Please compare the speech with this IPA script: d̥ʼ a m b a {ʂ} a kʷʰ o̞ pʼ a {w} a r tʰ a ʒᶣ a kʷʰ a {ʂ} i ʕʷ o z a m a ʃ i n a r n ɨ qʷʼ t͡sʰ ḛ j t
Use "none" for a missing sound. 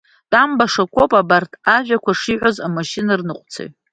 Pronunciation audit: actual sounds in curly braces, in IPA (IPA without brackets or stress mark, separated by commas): ʂ, b, ʂ